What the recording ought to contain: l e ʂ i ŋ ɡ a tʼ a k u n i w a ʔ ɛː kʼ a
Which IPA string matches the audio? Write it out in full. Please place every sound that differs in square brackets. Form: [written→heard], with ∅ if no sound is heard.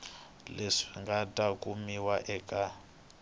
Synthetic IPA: l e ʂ i ŋ ɡ a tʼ a k u [n→m] i w a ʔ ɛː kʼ a